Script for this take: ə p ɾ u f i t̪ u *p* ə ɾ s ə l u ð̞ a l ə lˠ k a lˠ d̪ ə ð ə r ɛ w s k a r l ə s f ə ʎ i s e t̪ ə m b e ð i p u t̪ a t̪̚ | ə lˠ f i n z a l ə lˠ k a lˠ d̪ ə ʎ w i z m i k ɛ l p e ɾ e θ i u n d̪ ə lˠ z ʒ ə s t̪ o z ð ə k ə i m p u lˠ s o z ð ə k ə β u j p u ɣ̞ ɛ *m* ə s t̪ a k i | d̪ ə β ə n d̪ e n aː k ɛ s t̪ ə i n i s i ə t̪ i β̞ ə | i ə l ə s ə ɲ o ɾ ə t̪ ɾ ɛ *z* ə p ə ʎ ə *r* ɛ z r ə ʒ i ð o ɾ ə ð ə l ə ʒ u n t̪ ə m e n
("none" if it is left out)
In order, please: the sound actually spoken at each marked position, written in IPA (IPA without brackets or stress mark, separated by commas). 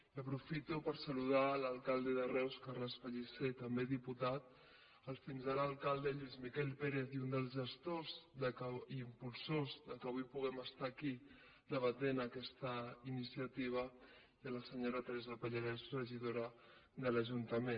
p, m, z, ɾ